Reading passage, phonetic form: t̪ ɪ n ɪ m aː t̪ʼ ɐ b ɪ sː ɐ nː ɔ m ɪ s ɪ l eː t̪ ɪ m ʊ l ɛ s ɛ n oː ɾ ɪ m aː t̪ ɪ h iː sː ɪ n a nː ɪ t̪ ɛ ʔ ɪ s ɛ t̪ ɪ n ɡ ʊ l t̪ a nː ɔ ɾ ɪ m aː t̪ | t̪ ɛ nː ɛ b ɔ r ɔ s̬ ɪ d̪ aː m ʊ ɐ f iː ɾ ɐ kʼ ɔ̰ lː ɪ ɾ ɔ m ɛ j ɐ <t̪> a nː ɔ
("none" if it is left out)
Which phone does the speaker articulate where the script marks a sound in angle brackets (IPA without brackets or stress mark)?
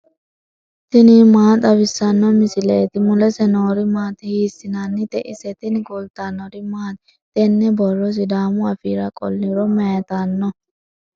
t̪